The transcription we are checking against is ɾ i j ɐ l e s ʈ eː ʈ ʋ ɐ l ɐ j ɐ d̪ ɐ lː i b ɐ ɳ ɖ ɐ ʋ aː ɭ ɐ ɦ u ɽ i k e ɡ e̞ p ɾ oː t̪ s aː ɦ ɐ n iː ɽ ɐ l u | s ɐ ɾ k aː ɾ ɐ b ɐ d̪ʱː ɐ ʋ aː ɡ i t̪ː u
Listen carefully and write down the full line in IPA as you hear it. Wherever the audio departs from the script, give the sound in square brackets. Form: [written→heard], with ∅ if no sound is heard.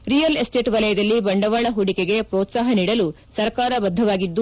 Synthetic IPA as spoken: ɾ i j ɐ l e s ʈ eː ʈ ʋ ɐ l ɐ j ɐ d̪ ɐ lː i b ɐ ɳ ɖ ɐ ʋ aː ɭ ɐ ɦ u ɽ i k e ɡ e̞ p ɾ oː t̪ s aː ɦ ɐ n iː ɽ ɐ l u | s ɐ ɾ k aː ɾ ɐ b ɐ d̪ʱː ɐ ʋ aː ɡ i [t̪ː→d̪ː] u